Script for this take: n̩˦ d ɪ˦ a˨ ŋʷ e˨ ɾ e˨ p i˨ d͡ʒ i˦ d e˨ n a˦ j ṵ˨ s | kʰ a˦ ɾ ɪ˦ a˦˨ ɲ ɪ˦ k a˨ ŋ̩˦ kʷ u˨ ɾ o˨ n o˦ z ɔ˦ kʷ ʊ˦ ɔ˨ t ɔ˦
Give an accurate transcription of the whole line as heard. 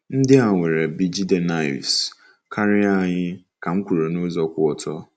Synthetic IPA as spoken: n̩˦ d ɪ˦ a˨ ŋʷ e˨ ɾ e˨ b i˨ d͡ʒ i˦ d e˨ n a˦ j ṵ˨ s | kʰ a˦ ɾ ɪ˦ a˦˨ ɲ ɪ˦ k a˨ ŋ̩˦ kʷ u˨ ɾ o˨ n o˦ z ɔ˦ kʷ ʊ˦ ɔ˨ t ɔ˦